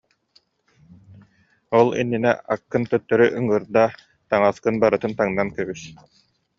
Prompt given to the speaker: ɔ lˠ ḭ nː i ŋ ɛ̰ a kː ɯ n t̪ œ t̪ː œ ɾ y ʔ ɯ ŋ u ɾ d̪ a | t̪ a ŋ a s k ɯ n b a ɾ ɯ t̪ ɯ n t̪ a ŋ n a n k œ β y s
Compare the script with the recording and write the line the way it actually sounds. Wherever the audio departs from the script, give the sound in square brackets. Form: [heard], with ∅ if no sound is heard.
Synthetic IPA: ɔ lˠ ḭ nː i [n] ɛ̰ a kː ɯ n t̪ œ t̪ː œ ɾ y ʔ ɯ ŋ [ɯ] ɾ d̪ a | t̪ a ŋ a s k ɯ n b a ɾ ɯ t̪ ɯ n t̪ a ŋ n a n k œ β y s